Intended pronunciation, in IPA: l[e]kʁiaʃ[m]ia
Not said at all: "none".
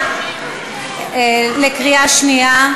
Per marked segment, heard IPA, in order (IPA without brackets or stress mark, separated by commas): e, n